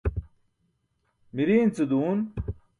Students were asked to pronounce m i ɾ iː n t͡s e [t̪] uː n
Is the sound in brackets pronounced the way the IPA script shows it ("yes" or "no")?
no